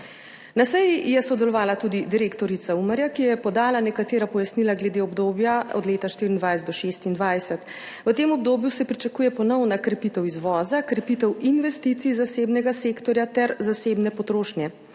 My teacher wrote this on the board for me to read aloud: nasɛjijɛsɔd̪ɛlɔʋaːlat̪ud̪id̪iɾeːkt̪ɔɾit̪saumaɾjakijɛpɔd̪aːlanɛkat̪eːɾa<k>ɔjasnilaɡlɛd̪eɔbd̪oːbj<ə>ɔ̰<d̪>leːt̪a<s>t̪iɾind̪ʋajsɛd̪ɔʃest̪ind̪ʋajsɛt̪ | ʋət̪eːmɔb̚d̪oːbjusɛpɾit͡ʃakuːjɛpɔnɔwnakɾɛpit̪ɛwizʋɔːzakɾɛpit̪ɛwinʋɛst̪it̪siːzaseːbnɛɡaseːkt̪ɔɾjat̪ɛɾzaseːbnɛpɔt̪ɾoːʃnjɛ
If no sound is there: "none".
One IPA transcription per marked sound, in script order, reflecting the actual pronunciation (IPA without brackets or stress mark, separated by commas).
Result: p, a, d̪, ʃ